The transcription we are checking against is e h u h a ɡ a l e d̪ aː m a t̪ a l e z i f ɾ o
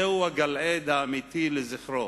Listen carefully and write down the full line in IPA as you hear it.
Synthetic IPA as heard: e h u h a ɡ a l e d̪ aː m i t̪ i l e z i χ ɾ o